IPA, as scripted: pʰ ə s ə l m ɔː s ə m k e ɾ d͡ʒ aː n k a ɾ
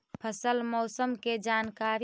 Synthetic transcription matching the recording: pʰ ə s ə l m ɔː s ə m k e d͡ʒ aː n k a ɾ